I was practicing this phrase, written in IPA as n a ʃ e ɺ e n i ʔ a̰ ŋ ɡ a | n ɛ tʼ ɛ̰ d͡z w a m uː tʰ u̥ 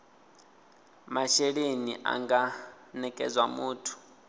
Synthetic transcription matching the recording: m a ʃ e ɺ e n i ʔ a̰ ŋ ɡ a | n ɛ kʼ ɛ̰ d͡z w a m uː tʰ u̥